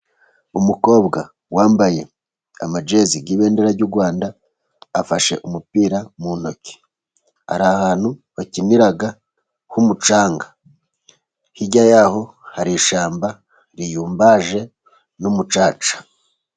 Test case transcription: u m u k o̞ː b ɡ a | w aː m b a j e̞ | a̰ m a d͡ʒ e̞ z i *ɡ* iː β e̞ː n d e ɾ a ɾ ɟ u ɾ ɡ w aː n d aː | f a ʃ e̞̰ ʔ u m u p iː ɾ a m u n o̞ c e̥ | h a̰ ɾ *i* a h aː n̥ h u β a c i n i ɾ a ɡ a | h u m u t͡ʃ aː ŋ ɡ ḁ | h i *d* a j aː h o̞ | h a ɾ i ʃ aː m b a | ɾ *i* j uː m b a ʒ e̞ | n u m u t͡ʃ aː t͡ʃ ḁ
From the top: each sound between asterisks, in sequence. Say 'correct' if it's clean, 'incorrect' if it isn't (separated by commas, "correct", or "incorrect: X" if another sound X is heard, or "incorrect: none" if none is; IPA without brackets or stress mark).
correct, incorrect: a, incorrect: ɟ, correct